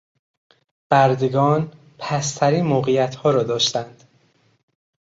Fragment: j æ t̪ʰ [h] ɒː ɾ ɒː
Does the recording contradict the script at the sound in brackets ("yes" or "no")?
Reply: no